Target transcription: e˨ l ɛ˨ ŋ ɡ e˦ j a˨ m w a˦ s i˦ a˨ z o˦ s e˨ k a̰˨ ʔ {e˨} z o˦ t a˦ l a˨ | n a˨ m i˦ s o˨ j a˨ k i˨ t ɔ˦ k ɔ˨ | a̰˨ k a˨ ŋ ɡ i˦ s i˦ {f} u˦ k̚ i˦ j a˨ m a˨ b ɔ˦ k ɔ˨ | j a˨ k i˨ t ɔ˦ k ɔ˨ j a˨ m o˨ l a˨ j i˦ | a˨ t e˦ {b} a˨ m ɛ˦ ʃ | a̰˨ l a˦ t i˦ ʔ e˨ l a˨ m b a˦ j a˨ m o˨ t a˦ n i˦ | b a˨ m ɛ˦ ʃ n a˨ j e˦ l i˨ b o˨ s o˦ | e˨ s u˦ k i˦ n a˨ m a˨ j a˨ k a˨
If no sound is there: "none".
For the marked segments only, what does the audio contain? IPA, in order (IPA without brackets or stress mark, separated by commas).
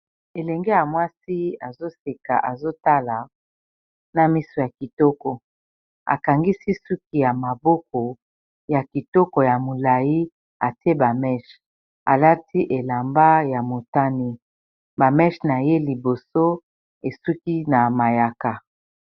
a˨, s, b